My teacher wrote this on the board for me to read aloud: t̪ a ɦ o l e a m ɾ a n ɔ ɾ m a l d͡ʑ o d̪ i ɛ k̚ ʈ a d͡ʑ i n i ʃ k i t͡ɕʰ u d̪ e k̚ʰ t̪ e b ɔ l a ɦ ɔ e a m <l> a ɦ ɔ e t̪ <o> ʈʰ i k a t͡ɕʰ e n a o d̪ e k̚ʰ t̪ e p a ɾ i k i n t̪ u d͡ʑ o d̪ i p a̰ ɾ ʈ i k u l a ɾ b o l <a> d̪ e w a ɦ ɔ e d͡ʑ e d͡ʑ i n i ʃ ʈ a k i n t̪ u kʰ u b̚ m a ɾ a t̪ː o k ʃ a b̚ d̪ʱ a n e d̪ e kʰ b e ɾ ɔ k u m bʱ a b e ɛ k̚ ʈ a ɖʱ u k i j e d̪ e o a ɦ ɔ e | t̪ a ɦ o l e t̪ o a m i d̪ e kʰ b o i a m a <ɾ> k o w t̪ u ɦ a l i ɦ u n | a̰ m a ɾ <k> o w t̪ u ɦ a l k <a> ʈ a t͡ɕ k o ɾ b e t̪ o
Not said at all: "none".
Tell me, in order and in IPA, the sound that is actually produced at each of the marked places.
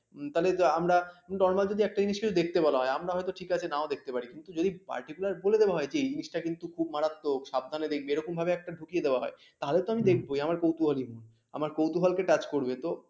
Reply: ɾ, o, e, ɾ, k, e

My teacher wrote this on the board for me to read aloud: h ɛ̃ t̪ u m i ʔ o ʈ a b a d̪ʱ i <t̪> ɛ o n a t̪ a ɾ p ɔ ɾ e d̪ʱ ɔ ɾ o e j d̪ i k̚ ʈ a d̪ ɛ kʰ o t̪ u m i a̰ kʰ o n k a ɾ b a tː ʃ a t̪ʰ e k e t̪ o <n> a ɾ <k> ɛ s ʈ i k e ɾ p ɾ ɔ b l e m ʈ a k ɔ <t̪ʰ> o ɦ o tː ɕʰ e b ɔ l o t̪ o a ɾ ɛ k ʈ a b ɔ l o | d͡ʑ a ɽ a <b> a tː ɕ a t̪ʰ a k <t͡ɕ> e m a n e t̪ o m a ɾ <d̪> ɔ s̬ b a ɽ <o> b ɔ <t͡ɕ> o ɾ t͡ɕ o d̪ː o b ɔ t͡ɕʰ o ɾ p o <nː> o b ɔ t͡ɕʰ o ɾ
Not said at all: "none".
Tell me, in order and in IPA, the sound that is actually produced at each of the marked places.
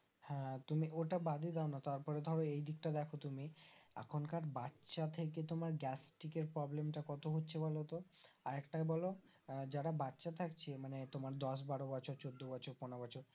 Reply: d̪, m, ɡ, t̪, b, t͡ɕʰ, d̪, o, t͡ɕʰ, n

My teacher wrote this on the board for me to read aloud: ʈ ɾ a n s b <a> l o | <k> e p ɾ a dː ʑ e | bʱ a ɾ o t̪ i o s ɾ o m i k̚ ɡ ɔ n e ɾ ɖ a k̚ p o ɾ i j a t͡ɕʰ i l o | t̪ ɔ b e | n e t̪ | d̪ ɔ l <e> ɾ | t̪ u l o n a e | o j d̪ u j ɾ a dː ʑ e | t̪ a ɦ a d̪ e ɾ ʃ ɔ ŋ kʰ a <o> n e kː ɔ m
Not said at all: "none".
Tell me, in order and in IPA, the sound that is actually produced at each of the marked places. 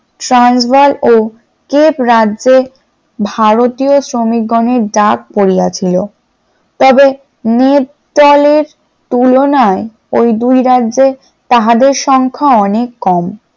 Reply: a, k, e, ɔ

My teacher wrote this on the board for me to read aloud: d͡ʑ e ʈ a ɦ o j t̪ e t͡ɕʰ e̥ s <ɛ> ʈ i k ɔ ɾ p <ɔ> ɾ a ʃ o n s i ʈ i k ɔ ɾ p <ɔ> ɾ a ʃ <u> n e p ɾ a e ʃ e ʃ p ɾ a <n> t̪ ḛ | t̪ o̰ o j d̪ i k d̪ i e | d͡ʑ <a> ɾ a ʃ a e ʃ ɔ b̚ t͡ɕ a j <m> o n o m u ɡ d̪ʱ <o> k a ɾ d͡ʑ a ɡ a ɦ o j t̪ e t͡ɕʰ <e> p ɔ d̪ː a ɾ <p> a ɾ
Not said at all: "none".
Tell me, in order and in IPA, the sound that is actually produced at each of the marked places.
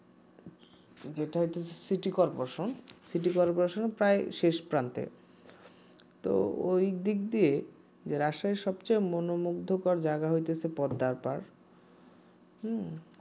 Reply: i, o, o, o, n, e, m, o, e, p

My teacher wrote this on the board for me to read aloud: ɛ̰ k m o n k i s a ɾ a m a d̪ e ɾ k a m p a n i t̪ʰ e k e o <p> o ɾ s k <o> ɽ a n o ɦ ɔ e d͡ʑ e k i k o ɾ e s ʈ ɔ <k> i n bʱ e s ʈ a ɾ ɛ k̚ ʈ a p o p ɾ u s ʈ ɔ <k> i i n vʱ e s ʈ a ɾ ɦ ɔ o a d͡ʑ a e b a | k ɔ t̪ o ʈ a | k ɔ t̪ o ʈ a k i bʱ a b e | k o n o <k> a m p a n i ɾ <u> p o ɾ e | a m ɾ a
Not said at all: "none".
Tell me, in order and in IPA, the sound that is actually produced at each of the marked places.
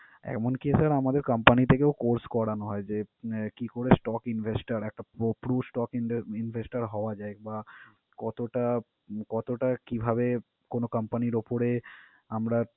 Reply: k, ɔ, k, k, k, o

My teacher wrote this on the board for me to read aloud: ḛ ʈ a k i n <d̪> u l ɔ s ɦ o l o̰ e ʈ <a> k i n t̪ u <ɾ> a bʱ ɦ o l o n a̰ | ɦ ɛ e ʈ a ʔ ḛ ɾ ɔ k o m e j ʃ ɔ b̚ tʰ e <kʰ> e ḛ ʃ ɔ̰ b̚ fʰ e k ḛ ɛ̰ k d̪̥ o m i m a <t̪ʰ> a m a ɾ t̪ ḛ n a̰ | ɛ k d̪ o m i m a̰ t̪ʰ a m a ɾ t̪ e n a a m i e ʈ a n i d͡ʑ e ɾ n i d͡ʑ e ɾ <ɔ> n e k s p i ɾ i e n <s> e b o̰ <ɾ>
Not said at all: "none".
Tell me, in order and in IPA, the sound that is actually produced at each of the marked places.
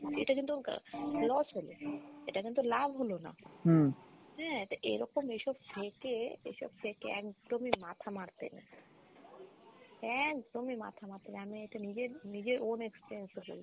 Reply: t̪, a, l, k, t̪ʰ, o, s, l

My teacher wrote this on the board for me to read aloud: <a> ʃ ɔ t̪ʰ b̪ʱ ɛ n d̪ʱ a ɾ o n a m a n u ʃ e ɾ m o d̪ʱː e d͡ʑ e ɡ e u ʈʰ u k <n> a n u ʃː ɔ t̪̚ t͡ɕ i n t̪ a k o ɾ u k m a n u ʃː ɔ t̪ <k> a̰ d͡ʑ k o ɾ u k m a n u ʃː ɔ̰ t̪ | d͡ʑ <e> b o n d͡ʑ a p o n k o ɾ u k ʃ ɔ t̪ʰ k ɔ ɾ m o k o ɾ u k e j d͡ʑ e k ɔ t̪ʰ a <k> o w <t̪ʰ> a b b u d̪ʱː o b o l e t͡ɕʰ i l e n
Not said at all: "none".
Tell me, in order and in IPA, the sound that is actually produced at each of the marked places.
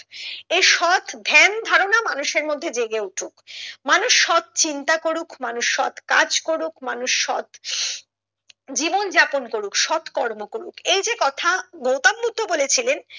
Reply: e, m, k, i, ɡ, t̪

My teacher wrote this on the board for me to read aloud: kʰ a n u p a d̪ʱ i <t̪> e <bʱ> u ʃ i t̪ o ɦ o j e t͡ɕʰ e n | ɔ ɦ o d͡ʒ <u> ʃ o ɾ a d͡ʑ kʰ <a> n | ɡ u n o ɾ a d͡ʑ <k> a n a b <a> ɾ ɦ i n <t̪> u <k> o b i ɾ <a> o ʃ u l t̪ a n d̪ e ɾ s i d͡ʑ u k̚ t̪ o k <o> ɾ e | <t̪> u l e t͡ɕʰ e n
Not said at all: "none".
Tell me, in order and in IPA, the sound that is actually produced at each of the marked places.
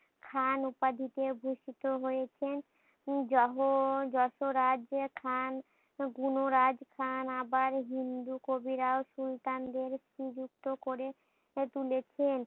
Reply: t̪, bʱ, ɔ, a, kʰ, a, d̪, k, a, o, t̪

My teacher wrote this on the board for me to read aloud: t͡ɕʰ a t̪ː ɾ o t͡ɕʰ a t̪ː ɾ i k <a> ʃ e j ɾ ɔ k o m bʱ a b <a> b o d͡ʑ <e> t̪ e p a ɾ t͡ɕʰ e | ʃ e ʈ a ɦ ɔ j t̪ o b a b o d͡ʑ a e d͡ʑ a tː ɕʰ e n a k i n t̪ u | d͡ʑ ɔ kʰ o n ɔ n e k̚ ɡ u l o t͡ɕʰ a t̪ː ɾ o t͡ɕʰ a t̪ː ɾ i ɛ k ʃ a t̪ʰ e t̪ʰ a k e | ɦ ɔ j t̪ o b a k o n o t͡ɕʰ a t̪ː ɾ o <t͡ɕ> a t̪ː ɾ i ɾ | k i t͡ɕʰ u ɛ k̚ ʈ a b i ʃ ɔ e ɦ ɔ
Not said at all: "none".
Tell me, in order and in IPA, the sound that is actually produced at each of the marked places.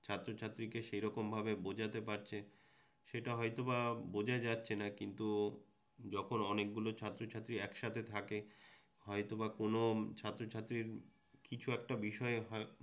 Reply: e, e, a, t͡ɕʰ

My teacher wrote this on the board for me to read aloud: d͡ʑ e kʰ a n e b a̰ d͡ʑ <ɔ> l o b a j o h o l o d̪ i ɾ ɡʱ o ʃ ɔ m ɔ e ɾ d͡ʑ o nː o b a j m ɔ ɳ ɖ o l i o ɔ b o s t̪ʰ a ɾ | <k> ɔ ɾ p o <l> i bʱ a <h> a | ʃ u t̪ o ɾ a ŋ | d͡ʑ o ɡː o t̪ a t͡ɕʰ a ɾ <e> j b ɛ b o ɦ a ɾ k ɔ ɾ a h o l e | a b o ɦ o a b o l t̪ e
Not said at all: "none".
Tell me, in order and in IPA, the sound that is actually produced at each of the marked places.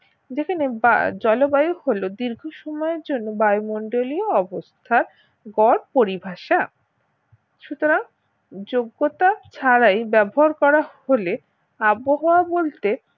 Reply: ɔ, ɡ, ɾ, ʃ, a

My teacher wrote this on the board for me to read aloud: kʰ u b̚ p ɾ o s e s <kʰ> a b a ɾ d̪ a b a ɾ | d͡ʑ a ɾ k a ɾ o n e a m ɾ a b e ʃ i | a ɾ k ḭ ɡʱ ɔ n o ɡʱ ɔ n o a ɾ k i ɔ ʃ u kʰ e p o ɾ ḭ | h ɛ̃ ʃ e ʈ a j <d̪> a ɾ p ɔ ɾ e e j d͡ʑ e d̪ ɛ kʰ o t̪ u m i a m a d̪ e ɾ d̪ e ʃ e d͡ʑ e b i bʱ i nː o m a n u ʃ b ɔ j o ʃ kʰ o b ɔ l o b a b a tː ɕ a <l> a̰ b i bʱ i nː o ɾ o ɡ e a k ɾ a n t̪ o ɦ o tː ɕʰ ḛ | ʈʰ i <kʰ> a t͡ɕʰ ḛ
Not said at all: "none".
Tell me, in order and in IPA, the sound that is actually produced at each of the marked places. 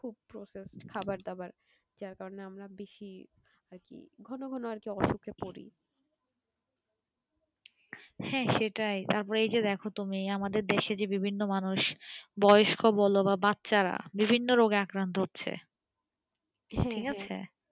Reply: kʰ, t̪, ɾ, k

